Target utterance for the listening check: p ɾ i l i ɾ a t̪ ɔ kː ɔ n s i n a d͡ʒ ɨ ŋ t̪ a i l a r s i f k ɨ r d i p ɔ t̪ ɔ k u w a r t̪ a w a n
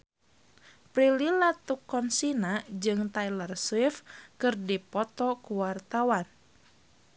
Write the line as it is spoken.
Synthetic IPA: p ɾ i l i l a t̪ u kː ɔ n s i n a d͡ʒ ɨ ŋ t̪ a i l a r s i f k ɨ r d i p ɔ t̪ ɔ k u w a r t̪ a w a n